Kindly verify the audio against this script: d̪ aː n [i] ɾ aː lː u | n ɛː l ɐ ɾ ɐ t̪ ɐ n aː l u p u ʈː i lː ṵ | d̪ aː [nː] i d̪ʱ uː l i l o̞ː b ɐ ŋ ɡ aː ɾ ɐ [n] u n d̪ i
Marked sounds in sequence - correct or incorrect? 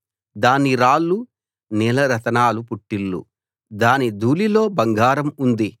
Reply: correct, incorrect: n, incorrect: m

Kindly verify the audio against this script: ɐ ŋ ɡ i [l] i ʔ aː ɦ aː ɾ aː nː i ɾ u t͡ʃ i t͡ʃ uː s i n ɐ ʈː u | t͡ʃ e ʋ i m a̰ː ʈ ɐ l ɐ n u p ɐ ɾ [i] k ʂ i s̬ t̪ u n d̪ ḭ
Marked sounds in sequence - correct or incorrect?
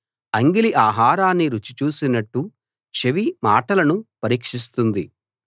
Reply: correct, incorrect: iː

